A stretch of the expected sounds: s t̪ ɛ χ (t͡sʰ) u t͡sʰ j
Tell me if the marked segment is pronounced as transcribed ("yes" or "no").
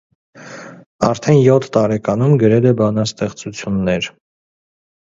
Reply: no